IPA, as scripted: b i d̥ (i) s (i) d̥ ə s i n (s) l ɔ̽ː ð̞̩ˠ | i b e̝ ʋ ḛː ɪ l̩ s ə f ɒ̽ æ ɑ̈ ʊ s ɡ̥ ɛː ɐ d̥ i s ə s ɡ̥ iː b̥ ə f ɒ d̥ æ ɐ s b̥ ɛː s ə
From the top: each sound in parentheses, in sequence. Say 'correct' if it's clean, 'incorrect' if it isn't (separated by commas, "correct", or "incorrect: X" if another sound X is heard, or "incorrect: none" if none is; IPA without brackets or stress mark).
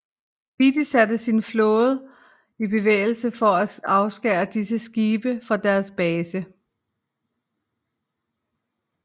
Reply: correct, incorrect: æ, incorrect: f